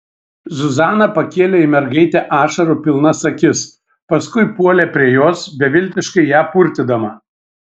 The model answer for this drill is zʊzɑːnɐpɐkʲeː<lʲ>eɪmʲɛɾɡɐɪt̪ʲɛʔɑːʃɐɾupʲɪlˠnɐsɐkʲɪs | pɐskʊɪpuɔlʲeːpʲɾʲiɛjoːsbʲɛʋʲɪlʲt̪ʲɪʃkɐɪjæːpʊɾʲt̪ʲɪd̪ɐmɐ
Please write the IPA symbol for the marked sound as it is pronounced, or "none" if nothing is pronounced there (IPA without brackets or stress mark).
lʲ